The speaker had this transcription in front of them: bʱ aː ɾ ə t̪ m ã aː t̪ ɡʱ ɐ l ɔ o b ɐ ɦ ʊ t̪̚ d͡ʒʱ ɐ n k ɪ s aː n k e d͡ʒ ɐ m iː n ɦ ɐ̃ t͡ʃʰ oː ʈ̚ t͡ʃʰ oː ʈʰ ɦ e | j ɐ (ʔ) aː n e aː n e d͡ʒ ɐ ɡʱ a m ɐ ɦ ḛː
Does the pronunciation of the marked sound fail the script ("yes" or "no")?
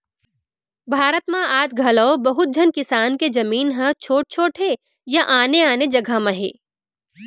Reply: no